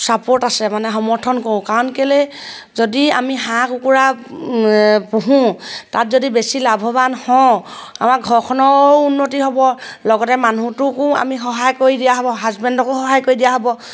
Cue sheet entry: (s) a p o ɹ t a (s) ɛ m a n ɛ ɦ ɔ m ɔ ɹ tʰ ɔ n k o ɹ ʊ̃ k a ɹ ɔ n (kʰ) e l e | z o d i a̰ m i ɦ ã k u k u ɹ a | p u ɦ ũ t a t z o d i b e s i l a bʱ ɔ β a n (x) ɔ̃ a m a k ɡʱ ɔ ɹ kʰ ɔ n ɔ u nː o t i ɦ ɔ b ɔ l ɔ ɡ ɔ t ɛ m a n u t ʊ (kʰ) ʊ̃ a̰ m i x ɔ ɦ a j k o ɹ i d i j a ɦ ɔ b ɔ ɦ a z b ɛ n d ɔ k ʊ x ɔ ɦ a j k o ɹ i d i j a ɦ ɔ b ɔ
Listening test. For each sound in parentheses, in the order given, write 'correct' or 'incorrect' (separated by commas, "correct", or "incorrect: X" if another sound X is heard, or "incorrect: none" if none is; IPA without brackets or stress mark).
correct, correct, incorrect: k, incorrect: h, incorrect: k